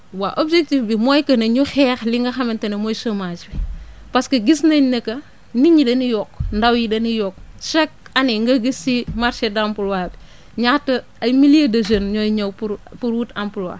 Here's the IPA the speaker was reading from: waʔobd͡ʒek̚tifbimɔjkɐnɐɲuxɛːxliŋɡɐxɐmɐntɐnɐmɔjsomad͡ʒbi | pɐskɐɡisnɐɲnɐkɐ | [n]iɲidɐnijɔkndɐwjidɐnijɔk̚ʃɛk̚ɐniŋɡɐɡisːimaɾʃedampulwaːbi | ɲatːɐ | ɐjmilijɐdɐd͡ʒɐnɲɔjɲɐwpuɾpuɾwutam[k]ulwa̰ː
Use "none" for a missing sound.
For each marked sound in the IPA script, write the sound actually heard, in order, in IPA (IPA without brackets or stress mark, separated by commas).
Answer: n, p